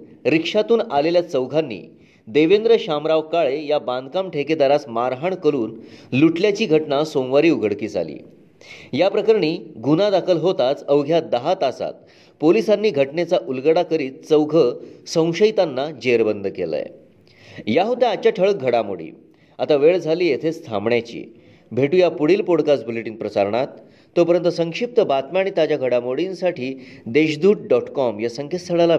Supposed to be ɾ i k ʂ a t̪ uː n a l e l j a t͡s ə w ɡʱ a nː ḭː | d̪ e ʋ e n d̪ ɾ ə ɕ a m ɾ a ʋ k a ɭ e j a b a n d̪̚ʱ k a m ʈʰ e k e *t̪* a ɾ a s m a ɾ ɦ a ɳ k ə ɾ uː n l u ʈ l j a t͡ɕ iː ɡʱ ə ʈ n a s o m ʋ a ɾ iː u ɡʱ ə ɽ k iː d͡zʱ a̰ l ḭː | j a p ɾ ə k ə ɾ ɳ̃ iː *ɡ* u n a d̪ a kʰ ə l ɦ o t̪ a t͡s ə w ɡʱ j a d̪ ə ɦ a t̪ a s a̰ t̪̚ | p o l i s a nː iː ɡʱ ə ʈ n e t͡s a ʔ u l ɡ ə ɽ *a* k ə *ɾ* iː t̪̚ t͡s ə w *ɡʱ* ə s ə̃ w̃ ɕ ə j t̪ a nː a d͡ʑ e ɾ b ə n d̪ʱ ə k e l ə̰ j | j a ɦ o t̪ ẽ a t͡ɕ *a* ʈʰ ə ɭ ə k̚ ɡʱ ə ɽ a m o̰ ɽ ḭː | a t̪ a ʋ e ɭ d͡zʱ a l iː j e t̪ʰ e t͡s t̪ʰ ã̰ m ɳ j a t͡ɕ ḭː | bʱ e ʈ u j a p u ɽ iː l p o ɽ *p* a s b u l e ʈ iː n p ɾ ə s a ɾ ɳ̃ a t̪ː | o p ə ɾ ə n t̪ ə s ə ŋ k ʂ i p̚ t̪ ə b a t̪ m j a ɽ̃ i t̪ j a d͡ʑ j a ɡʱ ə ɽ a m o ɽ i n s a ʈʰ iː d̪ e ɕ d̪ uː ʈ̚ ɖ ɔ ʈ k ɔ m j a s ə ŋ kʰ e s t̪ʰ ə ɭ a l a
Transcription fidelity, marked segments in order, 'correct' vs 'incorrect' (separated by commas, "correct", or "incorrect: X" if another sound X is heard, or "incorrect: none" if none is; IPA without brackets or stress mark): incorrect: d̪, correct, correct, correct, correct, correct, incorrect: k